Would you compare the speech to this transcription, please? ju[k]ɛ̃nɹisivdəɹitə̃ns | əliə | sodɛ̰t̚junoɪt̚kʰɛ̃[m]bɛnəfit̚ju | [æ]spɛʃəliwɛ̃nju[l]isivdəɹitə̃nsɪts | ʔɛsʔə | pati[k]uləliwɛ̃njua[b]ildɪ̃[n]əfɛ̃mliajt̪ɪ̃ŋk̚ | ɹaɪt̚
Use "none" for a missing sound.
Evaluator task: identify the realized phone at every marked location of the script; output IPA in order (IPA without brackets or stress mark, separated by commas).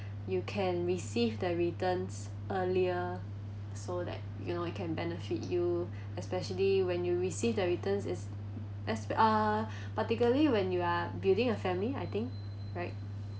kʰ, n, ɛ, ɹ, k, b, ŋ